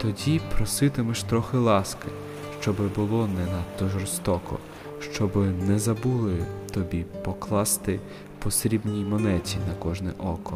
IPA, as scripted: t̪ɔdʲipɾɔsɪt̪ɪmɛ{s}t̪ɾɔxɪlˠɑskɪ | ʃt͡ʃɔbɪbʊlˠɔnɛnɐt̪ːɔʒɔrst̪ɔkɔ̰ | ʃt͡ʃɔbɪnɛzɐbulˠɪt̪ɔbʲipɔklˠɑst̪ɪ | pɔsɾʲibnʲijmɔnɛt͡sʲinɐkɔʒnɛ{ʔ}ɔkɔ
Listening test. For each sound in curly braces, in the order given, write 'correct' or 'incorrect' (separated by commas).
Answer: incorrect, correct